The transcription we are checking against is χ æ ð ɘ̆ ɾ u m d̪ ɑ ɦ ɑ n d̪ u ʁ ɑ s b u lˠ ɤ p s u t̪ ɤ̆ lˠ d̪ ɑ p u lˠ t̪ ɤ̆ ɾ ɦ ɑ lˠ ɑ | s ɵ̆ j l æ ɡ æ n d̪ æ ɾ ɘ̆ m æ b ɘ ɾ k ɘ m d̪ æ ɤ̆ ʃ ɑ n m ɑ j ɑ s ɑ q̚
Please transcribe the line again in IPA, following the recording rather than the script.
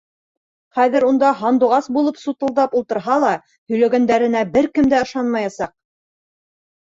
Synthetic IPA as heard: χ æ ð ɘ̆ ɾ u n d̪ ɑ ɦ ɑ n d̪ u ʁ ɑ s b u lˠ ɤ p s u t̪ ɤ̆ lˠ d̪ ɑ p u lˠ t̪ ɤ̆ ɾ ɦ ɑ lˠ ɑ | h ɵ̆ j l æ ɡ æ n d̪ æ ɾ ɘ̆ n æ b ɘ ɾ k ɘ m d̪ æ ɤ̆ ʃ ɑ n m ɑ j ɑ s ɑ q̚

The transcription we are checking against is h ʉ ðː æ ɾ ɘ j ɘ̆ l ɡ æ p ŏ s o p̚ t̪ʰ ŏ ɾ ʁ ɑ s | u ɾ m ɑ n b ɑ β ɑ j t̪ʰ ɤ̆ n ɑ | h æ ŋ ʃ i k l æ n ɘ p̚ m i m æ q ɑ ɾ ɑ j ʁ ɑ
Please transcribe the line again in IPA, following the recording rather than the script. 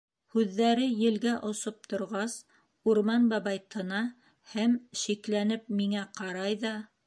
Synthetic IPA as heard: h ʉ ðː æ ɾ ɘ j ɘ̆ l ɡ æ ʔ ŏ s o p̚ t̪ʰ ŏ ɾ ʁ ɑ s | u ɾ m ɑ n b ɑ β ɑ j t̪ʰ ɤ̆ n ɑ | h æ m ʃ i k l æ n ɘ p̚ m i ŋ æ q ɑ ɾ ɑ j ð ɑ

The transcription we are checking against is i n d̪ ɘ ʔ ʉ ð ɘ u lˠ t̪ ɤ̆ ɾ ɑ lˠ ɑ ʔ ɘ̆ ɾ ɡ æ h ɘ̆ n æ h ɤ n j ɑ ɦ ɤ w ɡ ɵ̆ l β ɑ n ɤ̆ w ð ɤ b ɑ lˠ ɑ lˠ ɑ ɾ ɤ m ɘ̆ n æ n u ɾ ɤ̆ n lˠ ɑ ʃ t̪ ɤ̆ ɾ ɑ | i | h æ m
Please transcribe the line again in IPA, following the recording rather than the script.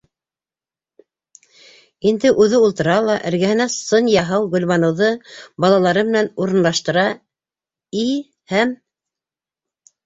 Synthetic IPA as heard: i n d̪ ɘ ʔ ʉ ð ɘ u lˠ t̪ ɤ̆ ɾ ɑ lˠ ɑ ʔ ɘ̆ ɾ ɡ æ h ɘ̆ n æ s ɤ n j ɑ ɦ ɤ w ɡ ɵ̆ l β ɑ n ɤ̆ w ð ɤ b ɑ lˠ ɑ lˠ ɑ ɾ ɤ m ɘ̆ n æ n u ɾ ɤ̆ n lˠ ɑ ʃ t̪ ɤ̆ ɾ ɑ | i | h æ m

